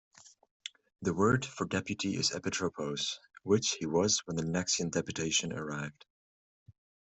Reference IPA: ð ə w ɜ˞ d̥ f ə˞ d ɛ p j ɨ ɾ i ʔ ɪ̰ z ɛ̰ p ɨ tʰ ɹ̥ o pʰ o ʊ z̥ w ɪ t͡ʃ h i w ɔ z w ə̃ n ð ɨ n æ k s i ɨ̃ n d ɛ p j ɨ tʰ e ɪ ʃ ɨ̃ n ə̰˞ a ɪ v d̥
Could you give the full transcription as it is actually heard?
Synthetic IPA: ð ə w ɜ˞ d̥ f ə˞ d ɛ p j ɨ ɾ i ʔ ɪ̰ z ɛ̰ p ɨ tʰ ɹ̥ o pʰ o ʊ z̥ w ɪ t͡ʃ h i w ʌ z w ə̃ n ð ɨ n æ k s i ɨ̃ n d ɛ p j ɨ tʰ e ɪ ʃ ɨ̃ n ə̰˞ a ɪ v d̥

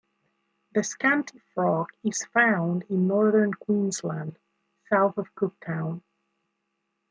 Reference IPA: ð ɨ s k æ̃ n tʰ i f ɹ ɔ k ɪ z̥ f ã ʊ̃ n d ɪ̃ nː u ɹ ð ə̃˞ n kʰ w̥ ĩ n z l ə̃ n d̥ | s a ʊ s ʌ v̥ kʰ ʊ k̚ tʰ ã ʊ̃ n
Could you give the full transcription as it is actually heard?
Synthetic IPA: ð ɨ s k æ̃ n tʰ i f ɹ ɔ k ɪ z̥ f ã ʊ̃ n d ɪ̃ nː ɔ ɹ ð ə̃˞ n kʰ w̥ ĩ n z l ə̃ n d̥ | s a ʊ θ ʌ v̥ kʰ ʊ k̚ tʰ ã ʊ̃ n

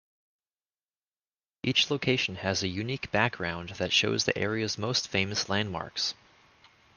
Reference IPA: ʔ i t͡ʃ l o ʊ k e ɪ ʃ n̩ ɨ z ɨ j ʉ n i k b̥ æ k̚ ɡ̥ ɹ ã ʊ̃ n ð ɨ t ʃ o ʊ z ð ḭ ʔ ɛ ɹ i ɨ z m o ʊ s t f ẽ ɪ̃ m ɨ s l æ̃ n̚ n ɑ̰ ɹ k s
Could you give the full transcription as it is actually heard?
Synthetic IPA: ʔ i t͡ʃ l o ʊ kʰ e ɪ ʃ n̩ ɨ z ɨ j ʉ n i k b̥ æ k̚ ɡ̥ ɹ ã ʊ̃ n ð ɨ t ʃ o ʊ z ð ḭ ʔ ɛ ɹ i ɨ z m o ʊ s t f ẽ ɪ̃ m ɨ s l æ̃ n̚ m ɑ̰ ɹ k s

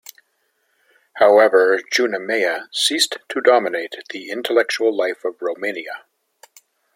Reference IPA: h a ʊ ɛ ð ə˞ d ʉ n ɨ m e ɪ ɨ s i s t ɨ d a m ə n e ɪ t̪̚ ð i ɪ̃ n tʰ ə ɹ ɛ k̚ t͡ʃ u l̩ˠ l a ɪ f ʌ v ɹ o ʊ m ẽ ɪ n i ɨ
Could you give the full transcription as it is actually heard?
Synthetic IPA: h a ʊ ɛ v ə˞ d͡ʒ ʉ n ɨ m e ɪ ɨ s i s tʰ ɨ d ɑ m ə n e ɪ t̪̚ ð i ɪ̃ n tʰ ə l ɛ k̚ t͡ʃ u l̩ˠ l a ɪ f ʌ v ɹ o ʊ m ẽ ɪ n i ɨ

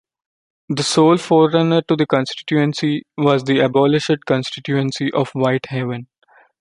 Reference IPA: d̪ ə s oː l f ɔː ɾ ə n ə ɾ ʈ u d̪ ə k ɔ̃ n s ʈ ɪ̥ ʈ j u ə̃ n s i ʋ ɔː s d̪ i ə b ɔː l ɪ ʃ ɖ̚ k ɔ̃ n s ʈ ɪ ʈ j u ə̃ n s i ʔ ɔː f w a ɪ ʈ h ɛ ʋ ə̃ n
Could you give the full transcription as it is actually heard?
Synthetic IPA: d̪ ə s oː l f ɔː ɾ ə n ə ɾ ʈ u d̪ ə k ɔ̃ n s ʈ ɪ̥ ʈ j u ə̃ n s i ʋ ɔː z d̪ i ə b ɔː l ɪ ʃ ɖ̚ k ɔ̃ n s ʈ ɪ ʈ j u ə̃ n s i ʔ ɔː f ʋ a ɪ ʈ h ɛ ʋ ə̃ n

